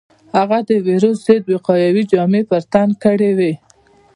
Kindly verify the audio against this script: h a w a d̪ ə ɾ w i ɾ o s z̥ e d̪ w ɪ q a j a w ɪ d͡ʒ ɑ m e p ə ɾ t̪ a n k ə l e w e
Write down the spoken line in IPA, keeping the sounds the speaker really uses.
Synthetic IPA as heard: h a ɣ a d̪ ə w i ɾ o s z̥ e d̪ w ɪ q ɑ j a w i d͡ʒ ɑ m e p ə ɾ t̪ a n k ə ɽ e w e